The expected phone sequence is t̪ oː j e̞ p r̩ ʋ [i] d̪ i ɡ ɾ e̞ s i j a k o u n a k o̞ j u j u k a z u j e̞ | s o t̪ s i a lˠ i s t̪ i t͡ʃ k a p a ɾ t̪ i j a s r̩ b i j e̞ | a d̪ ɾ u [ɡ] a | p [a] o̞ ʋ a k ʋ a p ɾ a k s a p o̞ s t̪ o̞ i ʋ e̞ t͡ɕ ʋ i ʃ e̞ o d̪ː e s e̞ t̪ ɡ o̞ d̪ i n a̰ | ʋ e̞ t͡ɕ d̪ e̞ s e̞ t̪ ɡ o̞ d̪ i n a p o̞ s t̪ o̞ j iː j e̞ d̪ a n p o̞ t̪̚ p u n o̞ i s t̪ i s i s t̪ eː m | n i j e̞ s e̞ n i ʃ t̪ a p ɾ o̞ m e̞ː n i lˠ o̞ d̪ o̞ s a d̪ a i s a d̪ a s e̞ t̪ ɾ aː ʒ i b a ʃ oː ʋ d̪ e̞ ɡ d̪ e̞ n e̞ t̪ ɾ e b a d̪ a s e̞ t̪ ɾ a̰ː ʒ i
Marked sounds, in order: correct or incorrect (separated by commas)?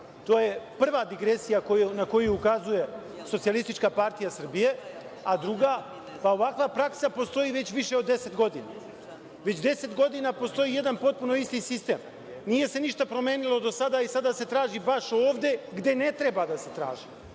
incorrect, correct, correct